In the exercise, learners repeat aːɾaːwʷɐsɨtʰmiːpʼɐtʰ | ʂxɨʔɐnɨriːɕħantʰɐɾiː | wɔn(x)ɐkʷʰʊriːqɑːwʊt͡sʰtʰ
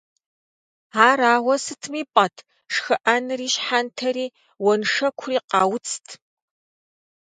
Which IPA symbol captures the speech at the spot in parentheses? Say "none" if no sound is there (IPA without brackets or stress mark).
ʂ